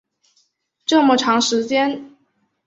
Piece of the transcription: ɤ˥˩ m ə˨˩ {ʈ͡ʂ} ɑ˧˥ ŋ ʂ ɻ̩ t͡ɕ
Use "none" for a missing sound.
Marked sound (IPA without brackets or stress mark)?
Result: ʈ͡ʂʰ